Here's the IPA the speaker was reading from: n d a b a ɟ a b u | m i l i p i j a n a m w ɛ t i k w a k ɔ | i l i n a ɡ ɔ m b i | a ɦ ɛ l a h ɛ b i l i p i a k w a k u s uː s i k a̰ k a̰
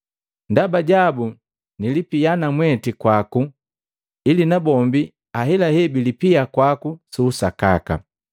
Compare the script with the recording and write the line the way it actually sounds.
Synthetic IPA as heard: n d a b a ɟ a b u | n i l i p i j a n a m w ɛ t i k w a k u | i l i n a b ɔ m b i | a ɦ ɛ l a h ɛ b i l i p i a k w a k u s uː s a k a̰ k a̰